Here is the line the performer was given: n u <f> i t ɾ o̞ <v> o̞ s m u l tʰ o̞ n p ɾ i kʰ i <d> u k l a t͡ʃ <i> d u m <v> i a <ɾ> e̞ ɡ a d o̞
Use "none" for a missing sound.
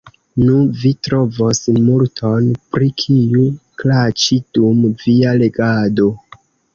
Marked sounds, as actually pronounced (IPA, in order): v, v, none, i, v, l

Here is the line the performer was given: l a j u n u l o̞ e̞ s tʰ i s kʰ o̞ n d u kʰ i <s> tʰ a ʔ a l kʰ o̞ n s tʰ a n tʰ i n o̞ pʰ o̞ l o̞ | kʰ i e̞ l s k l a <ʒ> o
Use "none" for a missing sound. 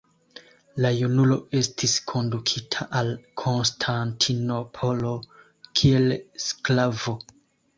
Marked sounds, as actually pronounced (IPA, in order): none, v

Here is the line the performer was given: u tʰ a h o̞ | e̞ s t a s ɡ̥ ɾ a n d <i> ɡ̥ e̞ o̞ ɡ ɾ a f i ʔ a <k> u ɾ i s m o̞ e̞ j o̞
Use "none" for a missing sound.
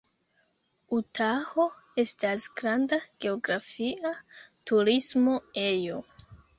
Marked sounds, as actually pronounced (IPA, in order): a, t

